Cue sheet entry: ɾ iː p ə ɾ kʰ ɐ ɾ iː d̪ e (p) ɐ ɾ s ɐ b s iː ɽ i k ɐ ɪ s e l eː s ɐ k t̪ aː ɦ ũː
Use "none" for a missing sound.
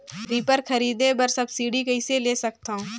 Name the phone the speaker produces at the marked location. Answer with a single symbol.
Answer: b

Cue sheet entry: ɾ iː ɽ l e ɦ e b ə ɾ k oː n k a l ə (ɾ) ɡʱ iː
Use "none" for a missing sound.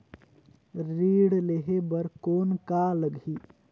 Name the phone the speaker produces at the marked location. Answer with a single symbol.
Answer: none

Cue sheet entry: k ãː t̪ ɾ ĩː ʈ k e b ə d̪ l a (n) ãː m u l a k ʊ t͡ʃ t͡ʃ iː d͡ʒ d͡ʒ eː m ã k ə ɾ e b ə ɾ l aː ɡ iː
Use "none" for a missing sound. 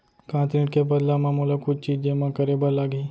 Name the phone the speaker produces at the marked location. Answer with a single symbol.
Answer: m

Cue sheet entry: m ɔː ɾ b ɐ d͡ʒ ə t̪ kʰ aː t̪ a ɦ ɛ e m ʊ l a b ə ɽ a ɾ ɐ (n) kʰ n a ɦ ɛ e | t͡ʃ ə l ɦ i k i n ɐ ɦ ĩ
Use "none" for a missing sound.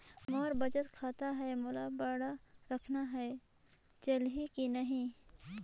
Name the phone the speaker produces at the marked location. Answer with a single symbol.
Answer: none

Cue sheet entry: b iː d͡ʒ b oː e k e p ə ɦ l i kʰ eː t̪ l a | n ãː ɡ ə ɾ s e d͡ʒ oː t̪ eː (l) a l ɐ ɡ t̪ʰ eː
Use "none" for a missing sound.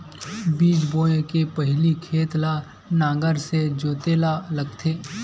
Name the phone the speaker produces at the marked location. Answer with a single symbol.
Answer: l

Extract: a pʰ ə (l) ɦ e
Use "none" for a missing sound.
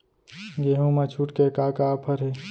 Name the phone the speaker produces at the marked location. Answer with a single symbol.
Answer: ɾ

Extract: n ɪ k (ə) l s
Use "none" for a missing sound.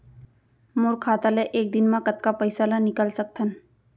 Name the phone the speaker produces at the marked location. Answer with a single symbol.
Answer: ə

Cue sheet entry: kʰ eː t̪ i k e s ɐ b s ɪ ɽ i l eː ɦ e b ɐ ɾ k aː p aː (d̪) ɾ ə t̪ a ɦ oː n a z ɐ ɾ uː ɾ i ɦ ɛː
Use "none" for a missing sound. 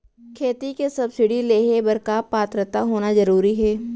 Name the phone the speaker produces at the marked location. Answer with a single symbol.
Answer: t̪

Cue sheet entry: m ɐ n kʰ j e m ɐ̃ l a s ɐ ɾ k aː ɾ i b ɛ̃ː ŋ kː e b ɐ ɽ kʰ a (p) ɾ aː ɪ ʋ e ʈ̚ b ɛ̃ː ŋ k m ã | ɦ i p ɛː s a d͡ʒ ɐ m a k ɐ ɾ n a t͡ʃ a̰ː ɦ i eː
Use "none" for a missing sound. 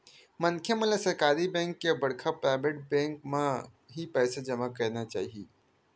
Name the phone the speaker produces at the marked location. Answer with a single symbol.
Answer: p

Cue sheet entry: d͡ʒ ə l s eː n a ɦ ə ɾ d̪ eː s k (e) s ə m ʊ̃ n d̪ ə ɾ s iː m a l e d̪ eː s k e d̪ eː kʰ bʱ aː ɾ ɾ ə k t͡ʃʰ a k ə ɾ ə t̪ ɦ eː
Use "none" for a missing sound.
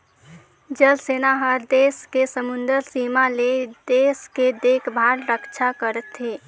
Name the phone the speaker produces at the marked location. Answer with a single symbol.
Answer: e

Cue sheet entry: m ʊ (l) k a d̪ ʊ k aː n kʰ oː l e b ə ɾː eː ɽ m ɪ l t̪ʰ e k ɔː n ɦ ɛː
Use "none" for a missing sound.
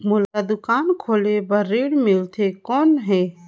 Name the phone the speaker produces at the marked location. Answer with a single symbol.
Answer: l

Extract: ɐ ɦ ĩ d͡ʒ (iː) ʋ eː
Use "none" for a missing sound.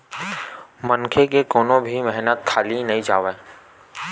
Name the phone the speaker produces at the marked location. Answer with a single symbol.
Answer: aː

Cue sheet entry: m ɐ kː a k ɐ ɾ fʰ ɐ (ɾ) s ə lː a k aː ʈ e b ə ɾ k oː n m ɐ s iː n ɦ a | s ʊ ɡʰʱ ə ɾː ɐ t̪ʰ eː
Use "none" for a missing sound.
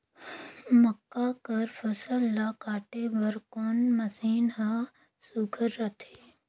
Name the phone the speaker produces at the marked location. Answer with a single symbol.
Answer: none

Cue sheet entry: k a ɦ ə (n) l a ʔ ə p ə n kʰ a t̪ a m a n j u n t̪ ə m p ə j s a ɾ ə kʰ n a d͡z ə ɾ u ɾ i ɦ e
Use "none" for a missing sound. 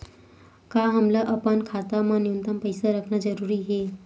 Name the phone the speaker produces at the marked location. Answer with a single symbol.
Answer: m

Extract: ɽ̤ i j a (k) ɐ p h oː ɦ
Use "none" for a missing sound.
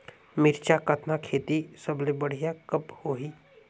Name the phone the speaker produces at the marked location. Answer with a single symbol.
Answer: k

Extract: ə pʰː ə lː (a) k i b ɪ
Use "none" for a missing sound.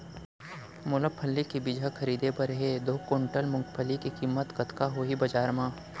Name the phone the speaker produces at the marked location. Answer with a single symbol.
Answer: i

